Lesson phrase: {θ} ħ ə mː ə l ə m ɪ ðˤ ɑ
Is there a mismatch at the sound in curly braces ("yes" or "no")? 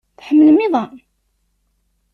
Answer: no